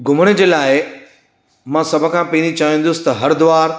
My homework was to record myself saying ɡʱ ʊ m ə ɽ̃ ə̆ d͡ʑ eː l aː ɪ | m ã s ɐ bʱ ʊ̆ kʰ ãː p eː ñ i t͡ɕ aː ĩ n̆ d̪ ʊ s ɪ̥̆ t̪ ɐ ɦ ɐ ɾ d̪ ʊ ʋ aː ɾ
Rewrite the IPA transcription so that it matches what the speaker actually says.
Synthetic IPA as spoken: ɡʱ ʊ m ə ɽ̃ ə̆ d͡ʑ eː l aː ɪ | m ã s ɐ bʱ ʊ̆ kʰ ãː p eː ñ i t͡ɕ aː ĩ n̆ d̪ ʊ s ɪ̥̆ t̪ ɐ ɦ ɐ ɾ d̪ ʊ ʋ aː ɾ